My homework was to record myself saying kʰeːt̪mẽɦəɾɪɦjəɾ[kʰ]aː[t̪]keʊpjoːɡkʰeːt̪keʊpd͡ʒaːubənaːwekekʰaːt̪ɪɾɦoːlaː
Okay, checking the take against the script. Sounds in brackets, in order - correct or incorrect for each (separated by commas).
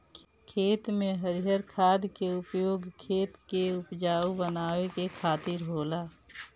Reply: correct, incorrect